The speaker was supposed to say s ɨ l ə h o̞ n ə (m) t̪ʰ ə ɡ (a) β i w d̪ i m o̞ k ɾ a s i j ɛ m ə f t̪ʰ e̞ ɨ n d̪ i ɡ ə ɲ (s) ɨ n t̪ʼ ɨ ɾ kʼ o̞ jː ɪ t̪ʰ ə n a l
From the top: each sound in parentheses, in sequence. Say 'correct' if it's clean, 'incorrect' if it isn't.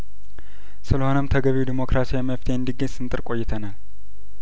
correct, incorrect: ə, correct

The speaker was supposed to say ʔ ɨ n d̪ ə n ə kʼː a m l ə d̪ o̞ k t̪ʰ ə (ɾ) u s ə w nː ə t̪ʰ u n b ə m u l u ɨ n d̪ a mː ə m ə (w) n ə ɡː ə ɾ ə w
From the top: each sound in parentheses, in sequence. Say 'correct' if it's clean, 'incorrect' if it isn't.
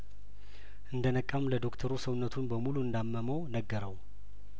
correct, correct

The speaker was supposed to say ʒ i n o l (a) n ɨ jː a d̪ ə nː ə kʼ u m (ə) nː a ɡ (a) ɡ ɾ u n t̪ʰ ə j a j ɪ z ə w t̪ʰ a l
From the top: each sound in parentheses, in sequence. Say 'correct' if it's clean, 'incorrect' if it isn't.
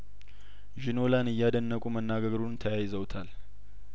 correct, correct, incorrect: ə

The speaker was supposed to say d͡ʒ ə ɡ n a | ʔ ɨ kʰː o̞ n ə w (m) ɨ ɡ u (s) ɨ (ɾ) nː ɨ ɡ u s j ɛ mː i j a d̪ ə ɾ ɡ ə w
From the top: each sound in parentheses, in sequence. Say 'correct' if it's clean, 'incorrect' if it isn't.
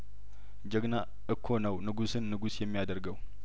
incorrect: n, correct, incorrect: none

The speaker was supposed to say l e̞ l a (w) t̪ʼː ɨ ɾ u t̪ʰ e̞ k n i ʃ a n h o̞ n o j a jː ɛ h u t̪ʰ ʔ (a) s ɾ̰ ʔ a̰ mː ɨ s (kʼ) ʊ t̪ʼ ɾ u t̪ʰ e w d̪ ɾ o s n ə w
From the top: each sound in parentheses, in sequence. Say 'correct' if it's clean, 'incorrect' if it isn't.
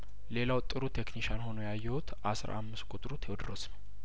correct, correct, correct

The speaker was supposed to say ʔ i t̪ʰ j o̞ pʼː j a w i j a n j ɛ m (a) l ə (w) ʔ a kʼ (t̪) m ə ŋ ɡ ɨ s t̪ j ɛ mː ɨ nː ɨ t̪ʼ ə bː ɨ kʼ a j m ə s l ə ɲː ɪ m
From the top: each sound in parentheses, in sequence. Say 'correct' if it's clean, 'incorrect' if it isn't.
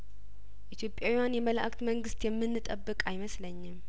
incorrect: ə, incorrect: none, correct

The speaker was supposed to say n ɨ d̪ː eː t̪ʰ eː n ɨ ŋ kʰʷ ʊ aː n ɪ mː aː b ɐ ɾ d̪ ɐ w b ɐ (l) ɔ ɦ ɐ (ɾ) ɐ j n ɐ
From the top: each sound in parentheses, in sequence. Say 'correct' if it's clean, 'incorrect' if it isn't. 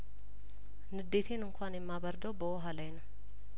incorrect: none, incorrect: l

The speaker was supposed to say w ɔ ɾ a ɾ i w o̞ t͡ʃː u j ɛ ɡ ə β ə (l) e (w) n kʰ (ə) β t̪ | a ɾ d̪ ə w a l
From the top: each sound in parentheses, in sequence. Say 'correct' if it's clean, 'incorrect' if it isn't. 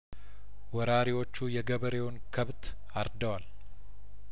incorrect: ɾ, correct, correct

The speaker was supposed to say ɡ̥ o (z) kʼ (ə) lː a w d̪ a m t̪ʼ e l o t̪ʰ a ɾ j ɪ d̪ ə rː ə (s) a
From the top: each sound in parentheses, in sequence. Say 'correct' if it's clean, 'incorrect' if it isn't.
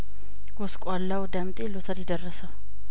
incorrect: s, incorrect: a, correct

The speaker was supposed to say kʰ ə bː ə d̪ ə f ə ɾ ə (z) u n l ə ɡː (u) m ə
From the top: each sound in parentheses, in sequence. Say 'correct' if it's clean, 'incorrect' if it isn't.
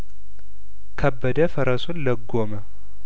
incorrect: s, incorrect: o

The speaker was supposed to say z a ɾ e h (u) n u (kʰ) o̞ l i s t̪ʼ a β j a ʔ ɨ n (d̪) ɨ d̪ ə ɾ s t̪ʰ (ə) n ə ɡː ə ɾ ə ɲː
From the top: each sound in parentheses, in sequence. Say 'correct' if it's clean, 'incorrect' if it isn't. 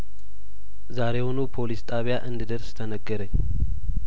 incorrect: o, incorrect: pʰ, correct, correct

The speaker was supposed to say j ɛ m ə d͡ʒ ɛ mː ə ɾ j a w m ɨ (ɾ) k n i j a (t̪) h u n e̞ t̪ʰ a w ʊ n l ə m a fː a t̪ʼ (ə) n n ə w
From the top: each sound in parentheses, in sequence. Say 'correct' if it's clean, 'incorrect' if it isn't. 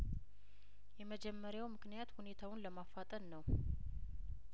incorrect: none, correct, correct

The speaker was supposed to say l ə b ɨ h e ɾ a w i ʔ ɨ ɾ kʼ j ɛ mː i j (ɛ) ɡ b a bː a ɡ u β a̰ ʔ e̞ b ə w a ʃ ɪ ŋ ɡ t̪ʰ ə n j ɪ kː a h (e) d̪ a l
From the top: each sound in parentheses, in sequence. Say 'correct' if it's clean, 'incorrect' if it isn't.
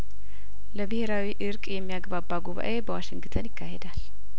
incorrect: a, correct

